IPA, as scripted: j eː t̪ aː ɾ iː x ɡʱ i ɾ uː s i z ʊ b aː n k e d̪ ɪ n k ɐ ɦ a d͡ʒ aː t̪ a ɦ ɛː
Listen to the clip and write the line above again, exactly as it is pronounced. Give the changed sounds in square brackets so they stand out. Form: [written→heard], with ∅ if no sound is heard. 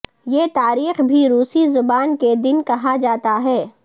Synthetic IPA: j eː t̪ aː ɾ iː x [ɡʱ→bʱ] i ɾ uː s i z ʊ b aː n k e d̪ ɪ n k ɐ ɦ a d͡ʒ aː t̪ a ɦ ɛː